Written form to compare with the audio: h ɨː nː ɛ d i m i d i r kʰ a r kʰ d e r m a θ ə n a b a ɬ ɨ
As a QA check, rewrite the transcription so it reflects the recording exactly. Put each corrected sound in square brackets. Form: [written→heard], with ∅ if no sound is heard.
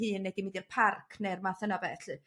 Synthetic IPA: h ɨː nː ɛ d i m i d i r [kʰ→pʰ] a r kʰ [d→n] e r m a θ ə n a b [a→ɛ] ɬ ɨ